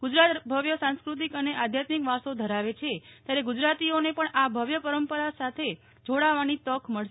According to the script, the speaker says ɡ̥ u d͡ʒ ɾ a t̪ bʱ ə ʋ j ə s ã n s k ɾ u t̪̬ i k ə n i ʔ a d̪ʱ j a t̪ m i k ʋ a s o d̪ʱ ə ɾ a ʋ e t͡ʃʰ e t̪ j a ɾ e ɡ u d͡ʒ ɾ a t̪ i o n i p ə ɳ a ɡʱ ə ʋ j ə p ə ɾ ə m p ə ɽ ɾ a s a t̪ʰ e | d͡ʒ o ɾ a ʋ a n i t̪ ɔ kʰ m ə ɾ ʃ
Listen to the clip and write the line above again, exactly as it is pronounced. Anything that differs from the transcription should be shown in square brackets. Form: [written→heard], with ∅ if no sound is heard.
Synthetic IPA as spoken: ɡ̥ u d͡ʒ ɾ a t̪ bʱ ə ʋ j ə s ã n s k ɾ u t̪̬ i k ə n [i→e] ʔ a d̪ʱ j a t̪ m i k ʋ a s o d̪ʱ ə ɾ a ʋ e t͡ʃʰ e t̪ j a ɾ e ɡ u d͡ʒ ɾ a t̪ i o n [i→e] p ə ɳ a [ɡʱ→bʱ] ə ʋ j ə p ə ɾ ə m p ə [ɽ→∅] ɾ a s a t̪ʰ e | d͡ʒ o [ɾ→ɽ] a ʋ a n i t̪ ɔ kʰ m ə [ɾ→ɭ] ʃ